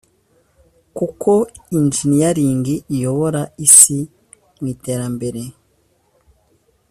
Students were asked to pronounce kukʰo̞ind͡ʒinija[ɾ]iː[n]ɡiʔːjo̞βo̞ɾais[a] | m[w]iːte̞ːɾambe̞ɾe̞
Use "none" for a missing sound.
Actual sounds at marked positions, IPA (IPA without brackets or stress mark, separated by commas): ɾ, ŋ, i, w